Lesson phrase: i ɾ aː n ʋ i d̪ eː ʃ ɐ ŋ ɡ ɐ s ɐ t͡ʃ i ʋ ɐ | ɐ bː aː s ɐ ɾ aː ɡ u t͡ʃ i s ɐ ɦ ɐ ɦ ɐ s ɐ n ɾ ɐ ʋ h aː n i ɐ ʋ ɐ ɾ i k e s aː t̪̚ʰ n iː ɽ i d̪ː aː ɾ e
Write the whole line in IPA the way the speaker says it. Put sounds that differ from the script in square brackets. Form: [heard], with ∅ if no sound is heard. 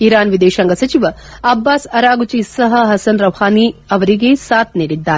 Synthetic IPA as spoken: i ɾ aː n ʋ i d̪ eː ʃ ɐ ŋ ɡ ɐ s ɐ t͡ʃ i ʋ ɐ | ɐ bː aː s ɐ ɾ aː ɡ u t͡ʃ i s ɐ ɦ ɐ ɦ ɐ s ɐ n ɾ ɐ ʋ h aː n i ɐ ʋ ɐ ɾ i [ɡ] e s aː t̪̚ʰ n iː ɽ i d̪ː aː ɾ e